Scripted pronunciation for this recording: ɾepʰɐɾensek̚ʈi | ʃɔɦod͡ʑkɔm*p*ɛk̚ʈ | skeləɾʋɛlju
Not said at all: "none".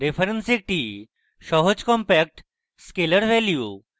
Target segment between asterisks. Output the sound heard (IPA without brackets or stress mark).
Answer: p